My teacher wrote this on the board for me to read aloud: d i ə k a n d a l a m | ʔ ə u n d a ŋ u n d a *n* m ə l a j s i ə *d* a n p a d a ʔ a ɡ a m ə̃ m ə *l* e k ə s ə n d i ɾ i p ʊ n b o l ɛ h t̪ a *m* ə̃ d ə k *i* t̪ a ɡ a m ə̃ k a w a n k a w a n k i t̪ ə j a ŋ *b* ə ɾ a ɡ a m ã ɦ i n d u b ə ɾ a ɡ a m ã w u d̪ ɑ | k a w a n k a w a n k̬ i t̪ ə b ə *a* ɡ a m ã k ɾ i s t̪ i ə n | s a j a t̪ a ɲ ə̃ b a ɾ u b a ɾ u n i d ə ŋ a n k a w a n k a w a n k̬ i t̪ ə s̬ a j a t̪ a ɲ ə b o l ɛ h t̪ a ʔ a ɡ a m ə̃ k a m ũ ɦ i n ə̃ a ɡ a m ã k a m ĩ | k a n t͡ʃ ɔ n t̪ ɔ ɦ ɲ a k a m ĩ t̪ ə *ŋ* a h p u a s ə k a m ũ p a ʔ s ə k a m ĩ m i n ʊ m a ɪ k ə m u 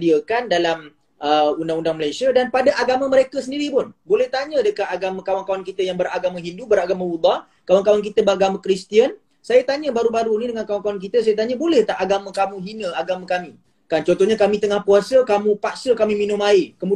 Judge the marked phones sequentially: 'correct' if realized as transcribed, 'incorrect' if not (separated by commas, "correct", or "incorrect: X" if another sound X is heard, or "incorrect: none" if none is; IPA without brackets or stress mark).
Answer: incorrect: ŋ, correct, incorrect: ɾ, incorrect: ɲ, incorrect: a, correct, correct, correct